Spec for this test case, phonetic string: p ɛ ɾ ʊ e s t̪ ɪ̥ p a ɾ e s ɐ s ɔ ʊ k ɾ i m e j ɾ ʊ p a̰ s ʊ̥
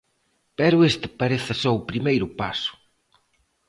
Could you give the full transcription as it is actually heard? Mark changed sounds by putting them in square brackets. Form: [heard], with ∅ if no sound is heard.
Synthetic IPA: p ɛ ɾ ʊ e s t̪ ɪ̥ p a ɾ e [θ] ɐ s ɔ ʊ [p] ɾ i m e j ɾ ʊ p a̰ s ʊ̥